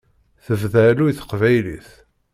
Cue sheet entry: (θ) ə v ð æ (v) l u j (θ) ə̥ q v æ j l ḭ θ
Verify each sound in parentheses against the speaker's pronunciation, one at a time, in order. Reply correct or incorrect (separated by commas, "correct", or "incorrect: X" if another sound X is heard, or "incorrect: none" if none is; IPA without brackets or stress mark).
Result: correct, incorrect: none, correct